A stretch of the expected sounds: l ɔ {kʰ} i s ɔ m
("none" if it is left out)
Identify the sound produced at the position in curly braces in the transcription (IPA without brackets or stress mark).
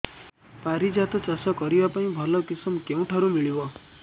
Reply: k